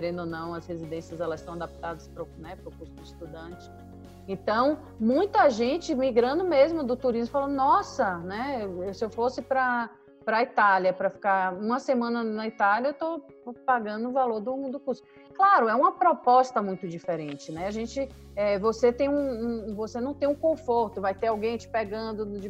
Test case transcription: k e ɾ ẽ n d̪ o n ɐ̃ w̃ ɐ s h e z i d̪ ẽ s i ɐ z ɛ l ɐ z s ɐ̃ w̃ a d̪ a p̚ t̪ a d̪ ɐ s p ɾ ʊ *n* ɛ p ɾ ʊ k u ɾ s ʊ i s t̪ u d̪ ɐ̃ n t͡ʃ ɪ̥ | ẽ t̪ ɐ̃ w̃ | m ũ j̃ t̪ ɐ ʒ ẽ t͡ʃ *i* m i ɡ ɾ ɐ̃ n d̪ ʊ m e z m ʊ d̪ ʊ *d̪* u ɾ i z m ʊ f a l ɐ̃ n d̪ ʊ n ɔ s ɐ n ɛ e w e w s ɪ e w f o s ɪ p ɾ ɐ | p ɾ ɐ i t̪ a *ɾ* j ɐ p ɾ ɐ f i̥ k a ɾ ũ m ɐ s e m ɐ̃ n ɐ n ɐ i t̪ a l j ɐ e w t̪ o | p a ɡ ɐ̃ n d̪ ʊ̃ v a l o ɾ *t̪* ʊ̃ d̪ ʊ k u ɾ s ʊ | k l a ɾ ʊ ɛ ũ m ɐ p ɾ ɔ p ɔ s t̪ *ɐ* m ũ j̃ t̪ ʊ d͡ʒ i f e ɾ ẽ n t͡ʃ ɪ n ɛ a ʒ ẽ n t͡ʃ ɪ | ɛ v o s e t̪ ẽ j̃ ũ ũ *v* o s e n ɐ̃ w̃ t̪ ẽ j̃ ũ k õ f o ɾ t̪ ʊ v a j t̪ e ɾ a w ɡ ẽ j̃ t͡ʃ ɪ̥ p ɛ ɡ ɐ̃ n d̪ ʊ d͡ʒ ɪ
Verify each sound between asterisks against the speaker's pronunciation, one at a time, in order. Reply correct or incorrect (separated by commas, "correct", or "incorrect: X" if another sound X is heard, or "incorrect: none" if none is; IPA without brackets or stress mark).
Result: correct, incorrect: ɪ, incorrect: t̪, incorrect: l, incorrect: d̪, correct, correct